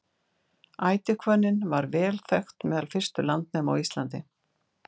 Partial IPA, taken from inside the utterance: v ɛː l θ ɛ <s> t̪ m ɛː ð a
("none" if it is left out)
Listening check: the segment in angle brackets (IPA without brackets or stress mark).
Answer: x